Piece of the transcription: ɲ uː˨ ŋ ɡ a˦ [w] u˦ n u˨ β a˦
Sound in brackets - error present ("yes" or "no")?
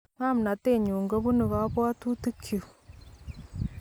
yes